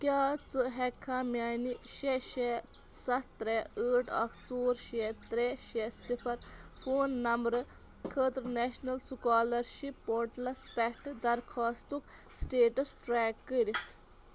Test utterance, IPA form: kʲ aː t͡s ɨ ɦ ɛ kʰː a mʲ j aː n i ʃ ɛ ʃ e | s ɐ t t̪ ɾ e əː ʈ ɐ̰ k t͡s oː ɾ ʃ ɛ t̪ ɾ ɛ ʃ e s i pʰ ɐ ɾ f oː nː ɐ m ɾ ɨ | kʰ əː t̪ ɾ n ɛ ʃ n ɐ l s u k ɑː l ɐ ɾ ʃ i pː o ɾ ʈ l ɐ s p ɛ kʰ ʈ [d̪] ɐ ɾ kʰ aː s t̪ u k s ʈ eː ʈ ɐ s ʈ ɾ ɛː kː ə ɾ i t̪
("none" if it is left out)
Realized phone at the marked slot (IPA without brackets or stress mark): d̪